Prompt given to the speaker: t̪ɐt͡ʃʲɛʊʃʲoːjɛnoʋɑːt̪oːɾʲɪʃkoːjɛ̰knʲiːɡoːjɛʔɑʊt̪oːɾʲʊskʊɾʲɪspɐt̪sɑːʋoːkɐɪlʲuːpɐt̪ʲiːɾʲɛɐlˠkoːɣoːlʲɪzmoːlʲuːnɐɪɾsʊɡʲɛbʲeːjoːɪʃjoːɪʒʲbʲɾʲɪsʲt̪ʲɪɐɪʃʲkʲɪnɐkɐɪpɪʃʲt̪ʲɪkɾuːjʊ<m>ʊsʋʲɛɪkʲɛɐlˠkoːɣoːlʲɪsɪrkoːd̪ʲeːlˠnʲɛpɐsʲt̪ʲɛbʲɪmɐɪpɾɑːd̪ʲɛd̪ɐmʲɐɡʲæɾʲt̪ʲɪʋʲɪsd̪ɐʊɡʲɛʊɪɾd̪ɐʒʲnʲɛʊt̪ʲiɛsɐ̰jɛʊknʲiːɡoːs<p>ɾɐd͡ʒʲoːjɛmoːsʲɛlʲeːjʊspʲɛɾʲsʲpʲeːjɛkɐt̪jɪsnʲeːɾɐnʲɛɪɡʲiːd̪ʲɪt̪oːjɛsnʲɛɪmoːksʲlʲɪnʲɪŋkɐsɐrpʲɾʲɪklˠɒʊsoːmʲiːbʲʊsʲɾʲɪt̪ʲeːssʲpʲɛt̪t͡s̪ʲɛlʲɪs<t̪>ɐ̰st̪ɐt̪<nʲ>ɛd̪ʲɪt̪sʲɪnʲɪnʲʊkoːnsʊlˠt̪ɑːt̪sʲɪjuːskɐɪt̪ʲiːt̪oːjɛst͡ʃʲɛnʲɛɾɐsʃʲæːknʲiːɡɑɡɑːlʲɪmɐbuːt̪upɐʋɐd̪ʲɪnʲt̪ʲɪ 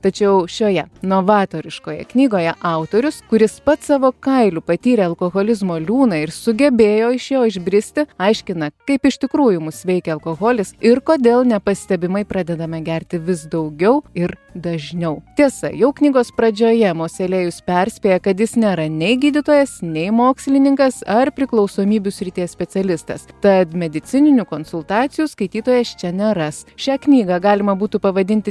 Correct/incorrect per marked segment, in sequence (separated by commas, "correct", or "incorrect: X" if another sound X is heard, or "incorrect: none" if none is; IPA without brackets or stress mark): correct, correct, correct, incorrect: mʲ